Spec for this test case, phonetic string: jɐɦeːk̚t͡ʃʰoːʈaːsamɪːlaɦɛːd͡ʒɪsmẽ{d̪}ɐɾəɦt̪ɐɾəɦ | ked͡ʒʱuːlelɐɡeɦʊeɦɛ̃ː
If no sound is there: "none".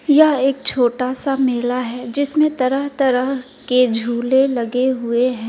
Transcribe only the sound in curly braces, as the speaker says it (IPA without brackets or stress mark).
t̪